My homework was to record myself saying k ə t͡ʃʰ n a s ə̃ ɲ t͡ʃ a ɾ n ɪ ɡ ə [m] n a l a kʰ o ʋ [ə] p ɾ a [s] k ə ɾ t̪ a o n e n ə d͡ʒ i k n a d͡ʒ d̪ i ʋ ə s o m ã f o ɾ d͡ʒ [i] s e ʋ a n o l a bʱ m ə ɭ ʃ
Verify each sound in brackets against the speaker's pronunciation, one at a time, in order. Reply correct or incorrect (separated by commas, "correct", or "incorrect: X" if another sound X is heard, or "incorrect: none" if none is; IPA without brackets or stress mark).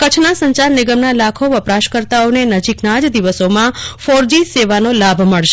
correct, correct, incorrect: ʃ, correct